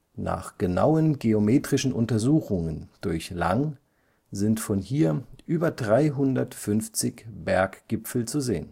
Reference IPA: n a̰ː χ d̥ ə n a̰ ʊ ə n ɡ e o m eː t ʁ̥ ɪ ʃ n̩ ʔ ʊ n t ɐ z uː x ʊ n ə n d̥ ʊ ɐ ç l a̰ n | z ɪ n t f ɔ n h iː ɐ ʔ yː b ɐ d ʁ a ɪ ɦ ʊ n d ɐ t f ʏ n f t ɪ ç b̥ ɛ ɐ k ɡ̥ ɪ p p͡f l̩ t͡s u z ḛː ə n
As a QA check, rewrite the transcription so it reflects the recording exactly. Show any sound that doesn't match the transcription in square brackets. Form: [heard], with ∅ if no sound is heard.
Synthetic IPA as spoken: n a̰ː χ [ɡ̥] ə n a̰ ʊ ə n ɡ e o m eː t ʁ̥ ɪ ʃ n̩ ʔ ʊ n t ɐ z uː x ʊ [ŋ] ə n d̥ ʊ ɐ ç l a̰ [ŋ] | z ɪ n t f ɔ n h iː ɐ ʔ yː b ɐ d ʁ a ɪ ɦ ʊ n d ɐ t f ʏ n f [t͡s] ɪ ç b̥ ɛ ɐ k ɡ̥ ɪ p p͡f l̩ t͡s u z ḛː ə n